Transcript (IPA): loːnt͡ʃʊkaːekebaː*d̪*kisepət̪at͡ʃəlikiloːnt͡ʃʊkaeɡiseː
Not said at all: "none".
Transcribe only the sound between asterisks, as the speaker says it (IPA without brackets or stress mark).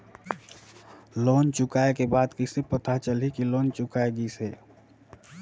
d̪